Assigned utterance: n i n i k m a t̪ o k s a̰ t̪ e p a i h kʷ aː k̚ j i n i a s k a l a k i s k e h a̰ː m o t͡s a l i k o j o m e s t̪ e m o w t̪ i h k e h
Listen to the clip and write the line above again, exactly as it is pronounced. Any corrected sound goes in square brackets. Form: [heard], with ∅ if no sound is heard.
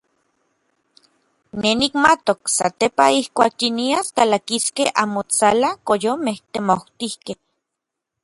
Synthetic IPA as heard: n [e] n i k m a t̪ o k s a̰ t̪ e p a i h kʷ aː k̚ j i n i a s k a l a k i s k e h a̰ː m o t͡s a l [a] k o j o m e [h] t̪ e m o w t̪ i h k e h